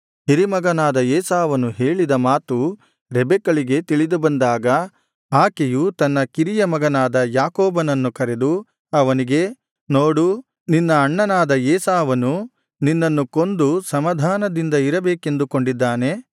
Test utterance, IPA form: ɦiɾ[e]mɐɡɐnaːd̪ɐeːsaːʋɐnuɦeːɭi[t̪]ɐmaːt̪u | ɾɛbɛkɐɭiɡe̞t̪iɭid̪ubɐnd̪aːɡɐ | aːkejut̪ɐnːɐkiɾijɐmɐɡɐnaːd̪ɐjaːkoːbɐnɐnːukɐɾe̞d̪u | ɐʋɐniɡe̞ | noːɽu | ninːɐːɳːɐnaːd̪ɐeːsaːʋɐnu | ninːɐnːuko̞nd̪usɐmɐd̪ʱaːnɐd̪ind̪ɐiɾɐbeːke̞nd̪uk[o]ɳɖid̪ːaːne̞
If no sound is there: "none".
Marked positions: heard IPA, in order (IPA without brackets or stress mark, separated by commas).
i, d̪, o